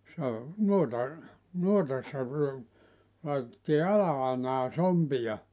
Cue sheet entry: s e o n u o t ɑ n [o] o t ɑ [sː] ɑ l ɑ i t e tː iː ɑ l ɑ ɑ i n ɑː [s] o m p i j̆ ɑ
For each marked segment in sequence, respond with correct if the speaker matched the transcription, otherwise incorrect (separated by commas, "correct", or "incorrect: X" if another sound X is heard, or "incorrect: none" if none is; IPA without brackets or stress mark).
incorrect: u, correct, correct